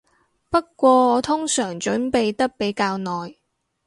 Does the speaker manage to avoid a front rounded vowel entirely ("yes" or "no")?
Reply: no